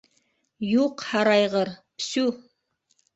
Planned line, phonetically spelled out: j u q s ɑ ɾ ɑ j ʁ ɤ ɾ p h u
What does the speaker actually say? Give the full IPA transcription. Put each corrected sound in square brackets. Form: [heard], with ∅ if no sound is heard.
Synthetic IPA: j u q [h] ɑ ɾ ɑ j ʁ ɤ ɾ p [s] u